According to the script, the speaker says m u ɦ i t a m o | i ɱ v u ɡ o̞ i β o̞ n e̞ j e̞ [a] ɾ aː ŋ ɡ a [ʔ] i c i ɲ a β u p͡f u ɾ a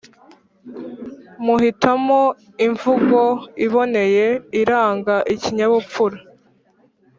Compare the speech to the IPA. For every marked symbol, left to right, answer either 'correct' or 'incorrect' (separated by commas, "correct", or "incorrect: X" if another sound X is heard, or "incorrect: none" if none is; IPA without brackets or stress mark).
incorrect: i, correct